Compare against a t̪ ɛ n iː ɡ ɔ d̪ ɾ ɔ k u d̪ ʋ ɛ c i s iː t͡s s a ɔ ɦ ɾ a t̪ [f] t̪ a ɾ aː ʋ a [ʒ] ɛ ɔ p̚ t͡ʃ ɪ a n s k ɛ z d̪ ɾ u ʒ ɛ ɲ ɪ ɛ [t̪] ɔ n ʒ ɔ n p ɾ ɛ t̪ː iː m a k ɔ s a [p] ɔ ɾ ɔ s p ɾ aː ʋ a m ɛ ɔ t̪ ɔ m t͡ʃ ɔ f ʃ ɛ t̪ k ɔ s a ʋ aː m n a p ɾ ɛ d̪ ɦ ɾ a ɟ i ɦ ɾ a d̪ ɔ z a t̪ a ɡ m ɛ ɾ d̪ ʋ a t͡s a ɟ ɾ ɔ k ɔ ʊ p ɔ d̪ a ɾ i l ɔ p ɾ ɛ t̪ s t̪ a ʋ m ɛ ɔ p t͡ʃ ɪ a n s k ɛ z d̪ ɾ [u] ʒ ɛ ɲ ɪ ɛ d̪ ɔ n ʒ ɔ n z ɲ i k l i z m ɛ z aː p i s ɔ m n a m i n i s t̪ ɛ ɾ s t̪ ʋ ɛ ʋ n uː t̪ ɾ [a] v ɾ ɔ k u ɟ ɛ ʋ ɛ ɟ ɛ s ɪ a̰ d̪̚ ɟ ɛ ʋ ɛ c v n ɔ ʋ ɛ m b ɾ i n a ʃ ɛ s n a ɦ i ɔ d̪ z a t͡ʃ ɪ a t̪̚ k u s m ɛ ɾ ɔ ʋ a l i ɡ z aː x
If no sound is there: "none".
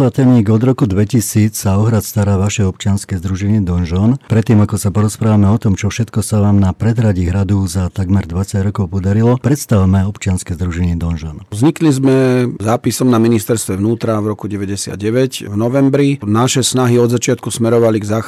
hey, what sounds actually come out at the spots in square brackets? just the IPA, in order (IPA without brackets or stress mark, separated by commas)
s, ʃ, d̪, p, u, a